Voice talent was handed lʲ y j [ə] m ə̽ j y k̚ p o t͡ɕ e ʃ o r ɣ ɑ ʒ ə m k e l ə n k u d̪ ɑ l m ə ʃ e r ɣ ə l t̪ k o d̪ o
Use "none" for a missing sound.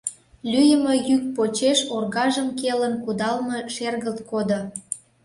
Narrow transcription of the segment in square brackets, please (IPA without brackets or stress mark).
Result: ə